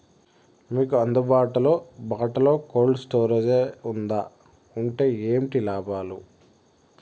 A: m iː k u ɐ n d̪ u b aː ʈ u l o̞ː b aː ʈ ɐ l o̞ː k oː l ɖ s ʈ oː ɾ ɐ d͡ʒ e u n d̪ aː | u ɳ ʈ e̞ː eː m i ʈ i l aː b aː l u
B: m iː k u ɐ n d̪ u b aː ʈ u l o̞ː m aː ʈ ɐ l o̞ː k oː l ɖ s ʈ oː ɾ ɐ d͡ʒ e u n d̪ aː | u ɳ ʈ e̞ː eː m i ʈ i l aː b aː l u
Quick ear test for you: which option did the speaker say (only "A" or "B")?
A